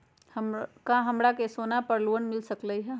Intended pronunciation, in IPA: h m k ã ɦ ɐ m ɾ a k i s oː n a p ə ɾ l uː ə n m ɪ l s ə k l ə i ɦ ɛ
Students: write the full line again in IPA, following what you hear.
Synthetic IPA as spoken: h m k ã ɦ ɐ m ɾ a k e s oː n a p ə ɾ l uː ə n m ɪ l s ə k l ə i ɦ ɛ